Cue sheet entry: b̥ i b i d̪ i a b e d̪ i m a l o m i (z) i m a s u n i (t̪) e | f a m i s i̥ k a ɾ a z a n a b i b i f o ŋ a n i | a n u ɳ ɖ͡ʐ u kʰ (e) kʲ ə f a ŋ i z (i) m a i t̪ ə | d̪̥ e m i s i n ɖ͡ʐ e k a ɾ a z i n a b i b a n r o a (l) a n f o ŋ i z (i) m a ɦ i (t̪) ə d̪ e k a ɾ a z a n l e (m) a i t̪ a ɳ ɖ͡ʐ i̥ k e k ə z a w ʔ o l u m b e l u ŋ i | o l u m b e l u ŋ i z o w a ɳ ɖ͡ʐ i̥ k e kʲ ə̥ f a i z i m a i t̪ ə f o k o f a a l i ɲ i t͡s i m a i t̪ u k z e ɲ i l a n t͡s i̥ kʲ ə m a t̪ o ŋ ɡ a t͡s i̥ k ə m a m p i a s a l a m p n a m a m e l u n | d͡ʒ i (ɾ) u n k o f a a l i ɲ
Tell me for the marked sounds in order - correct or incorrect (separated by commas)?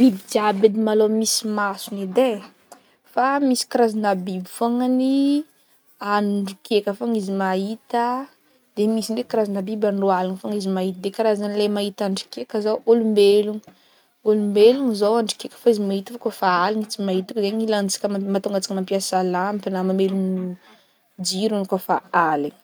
incorrect, incorrect, correct, correct, correct, correct, correct, correct, correct